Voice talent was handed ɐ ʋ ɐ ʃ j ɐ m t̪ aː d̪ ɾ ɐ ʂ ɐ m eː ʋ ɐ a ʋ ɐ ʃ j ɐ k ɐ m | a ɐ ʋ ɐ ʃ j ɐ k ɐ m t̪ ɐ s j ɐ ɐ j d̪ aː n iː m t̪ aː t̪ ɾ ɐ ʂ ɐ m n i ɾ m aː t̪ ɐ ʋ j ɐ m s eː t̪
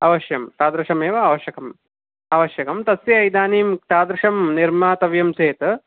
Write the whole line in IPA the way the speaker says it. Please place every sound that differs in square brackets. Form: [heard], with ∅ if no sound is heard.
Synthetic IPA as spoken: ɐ ʋ ɐ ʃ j ɐ m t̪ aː d̪ ɾ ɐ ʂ ɐ m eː ʋ ɐ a ʋ ɐ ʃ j ɐ k ɐ m | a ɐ ʋ ɐ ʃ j ɐ k ɐ m t̪ ɐ s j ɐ ɐ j d̪ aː n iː m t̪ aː [d̪] ɾ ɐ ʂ ɐ m n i ɾ m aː t̪ ɐ ʋ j ɐ m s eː t̪

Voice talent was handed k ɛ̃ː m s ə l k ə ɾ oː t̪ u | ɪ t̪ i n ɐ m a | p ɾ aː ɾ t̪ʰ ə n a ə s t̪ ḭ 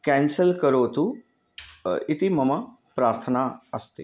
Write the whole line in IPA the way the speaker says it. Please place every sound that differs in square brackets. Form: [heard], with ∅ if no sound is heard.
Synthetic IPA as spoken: k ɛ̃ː [n] s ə l k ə ɾ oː t̪ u | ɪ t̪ i [m] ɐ m a | p ɾ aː ɾ t̪ʰ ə n a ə s t̪ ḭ

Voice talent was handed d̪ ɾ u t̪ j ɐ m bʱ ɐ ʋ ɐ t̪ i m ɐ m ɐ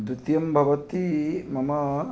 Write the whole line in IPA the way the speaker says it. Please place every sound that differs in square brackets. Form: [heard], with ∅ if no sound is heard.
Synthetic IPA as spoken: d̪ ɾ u t̪ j ɐ m bʱ ɐ ʋ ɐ t̪ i m ɐ m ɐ

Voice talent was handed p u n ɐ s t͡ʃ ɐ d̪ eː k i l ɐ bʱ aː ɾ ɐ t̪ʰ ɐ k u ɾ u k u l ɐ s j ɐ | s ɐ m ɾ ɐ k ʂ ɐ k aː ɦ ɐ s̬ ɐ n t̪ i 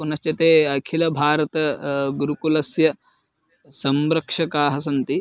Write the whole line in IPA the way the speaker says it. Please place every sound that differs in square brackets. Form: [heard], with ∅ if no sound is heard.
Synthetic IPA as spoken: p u n ɐ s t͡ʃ ɐ [t̪] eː [kʰ] i l ɐ bʱ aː ɾ ɐ [t̪] ɐ [ɡ] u ɾ u k u l ɐ s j ɐ | s ɐ m ɾ ɐ k ʂ ɐ k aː ɦ ɐ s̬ ɐ n t̪ i

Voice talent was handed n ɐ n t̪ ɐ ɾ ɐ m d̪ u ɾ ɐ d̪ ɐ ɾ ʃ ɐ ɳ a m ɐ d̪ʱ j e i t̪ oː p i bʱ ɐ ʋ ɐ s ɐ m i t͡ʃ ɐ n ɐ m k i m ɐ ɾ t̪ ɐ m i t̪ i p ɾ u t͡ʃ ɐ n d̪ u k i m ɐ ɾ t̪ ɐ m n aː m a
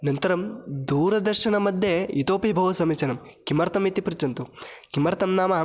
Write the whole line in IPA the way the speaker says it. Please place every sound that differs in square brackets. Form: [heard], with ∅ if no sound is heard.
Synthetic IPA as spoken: n ɐ n t̪ ɐ ɾ ɐ m d̪ [uː] ɾ ɐ d̪ ɐ ɾ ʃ ɐ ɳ [ɐ] m ɐ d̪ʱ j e i t̪ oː p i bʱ ɐ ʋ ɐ s ɐ m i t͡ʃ ɐ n ɐ m k i m ɐ ɾ t̪ ɐ m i t̪ i p ɾ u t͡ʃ ɐ n [t̪] u k i m ɐ ɾ t̪ ɐ m n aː m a

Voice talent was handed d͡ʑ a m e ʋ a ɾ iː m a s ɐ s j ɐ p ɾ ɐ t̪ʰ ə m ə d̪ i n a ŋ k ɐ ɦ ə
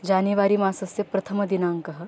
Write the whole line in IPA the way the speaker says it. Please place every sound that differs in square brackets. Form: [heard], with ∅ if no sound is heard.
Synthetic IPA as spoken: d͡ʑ a [n] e ʋ a ɾ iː m a s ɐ s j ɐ p ɾ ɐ t̪ʰ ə m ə d̪ i n a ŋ k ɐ ɦ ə

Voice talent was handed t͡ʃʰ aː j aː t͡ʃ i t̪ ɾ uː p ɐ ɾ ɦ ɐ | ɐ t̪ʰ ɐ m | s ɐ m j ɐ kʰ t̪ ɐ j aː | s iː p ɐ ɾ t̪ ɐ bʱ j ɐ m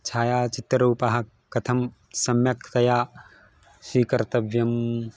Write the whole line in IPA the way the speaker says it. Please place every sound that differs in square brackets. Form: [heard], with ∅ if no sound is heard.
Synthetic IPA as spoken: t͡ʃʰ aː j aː t͡ʃ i t̪ ɾ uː p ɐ [∅] ɦ ɐ | ɐ t̪ʰ ɐ m | s ɐ m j ɐ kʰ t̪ ɐ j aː | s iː [k] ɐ ɾ t̪ ɐ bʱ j ɐ m

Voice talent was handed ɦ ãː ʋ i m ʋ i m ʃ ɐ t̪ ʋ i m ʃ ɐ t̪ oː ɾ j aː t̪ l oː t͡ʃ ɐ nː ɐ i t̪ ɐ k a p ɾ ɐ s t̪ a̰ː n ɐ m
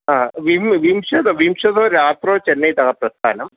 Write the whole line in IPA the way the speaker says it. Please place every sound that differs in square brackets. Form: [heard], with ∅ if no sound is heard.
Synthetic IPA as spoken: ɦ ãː ʋ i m ʋ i m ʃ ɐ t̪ ʋ i m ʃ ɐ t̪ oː ɾ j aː t̪ [ɾ] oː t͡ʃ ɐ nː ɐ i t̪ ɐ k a p ɾ ɐ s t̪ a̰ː n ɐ m

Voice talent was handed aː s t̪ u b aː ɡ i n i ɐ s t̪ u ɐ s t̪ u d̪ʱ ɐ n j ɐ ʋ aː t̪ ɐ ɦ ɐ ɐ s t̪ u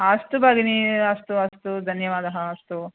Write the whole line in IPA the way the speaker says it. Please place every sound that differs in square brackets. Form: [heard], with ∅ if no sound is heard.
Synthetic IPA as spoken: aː s t̪ u b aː ɡ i n i ɐ s t̪ u ɐ s t̪ u d̪ʱ ɐ n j ɐ ʋ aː [d̪] ɐ ɦ ɐ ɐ s t̪ u

